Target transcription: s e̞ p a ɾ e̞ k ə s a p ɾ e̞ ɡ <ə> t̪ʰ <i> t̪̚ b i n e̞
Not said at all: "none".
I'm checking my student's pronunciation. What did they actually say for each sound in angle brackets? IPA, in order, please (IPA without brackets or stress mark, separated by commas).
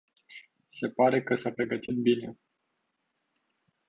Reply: ə, i